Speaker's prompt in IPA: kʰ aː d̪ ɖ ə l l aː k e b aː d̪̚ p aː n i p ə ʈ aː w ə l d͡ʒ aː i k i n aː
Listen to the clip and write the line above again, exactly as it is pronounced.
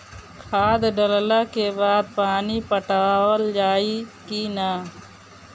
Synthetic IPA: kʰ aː d̪ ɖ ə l l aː k e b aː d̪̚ p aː n i p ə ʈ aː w ə l d͡ʒ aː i k i n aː